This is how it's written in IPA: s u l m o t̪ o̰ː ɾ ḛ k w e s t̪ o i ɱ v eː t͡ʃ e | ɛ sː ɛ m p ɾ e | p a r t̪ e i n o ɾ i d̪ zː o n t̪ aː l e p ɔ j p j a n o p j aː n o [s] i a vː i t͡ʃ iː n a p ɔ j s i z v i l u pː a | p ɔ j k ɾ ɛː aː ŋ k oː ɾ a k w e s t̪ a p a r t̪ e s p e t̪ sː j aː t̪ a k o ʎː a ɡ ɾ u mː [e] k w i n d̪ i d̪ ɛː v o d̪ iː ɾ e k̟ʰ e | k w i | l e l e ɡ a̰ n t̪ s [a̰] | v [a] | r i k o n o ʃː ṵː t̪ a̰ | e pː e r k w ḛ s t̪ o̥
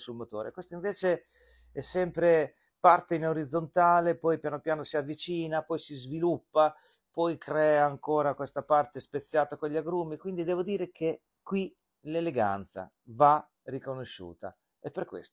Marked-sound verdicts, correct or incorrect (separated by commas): correct, incorrect, correct, correct